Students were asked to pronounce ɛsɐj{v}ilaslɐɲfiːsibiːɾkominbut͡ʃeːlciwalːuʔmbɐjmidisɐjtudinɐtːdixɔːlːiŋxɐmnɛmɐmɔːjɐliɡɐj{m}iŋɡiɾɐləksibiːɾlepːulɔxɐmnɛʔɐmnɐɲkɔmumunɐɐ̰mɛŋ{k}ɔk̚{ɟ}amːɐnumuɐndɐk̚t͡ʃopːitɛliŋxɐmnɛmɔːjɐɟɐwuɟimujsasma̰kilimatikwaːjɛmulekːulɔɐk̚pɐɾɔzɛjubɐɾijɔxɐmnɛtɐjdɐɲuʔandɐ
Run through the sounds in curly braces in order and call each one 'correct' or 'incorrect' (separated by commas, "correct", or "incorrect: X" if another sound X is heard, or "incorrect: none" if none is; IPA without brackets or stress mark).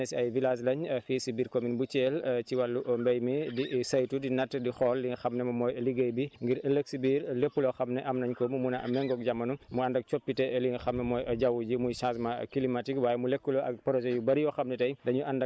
correct, incorrect: b, incorrect: ɡ, correct